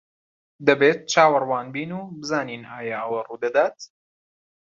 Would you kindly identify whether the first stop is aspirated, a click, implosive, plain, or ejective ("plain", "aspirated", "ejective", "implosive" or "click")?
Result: plain